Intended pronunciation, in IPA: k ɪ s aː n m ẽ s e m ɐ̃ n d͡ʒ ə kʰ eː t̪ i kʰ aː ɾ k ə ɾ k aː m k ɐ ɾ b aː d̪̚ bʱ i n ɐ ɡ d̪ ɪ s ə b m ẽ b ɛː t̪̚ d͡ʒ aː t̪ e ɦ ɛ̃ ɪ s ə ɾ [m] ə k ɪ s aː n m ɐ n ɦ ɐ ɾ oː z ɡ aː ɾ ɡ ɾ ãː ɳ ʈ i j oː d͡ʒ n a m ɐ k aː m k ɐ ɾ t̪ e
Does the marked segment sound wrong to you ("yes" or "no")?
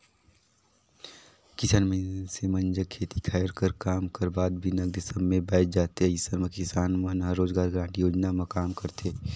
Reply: no